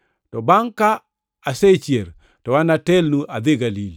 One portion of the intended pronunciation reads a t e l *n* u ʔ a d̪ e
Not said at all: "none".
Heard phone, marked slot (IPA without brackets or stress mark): n